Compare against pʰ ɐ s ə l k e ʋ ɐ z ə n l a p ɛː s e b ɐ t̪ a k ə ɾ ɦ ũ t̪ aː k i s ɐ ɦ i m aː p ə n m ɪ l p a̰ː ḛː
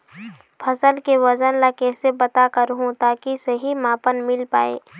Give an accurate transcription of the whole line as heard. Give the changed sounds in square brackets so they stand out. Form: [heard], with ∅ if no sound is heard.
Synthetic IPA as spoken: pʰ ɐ s ə l k e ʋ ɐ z ə n l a [k] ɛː s e b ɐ t̪ a k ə ɾ ɦ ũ t̪ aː k i s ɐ ɦ i m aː p ə n m ɪ l p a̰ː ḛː